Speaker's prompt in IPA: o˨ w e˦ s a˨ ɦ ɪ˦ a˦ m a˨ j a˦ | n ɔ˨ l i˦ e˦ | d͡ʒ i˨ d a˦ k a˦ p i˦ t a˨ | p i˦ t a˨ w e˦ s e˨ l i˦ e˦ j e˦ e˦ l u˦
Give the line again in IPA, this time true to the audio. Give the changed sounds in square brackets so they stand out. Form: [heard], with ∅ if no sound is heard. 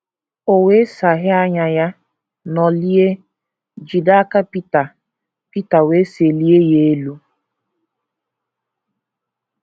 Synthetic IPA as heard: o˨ w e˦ s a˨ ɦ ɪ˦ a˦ [ɲ] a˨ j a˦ | n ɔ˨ l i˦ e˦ | d͡ʒ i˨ d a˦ k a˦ p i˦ t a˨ | p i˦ t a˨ w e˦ s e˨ l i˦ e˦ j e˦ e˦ l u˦